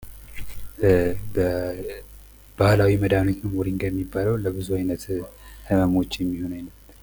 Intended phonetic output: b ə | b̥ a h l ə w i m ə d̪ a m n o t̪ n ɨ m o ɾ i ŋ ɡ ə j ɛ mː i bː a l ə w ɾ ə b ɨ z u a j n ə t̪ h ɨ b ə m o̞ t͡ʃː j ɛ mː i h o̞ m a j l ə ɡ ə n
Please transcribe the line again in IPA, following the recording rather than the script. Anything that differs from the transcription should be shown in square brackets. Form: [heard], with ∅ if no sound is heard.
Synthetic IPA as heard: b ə | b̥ a h l [a] w i m ə d̪ a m n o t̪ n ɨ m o ɾ i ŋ ɡ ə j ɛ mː i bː a l ə w [l] ə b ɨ z u a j n ə t̪ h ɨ [m] ə m o̞ t͡ʃː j ɛ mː i h o̞ [n] a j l ə [b] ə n